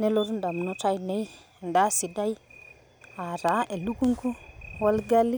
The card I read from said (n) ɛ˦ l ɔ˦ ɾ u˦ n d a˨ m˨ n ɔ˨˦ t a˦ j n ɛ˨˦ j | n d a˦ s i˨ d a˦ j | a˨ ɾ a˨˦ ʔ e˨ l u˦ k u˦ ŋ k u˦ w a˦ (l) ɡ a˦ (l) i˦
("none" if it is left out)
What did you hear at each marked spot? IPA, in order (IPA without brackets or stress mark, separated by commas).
n, l, l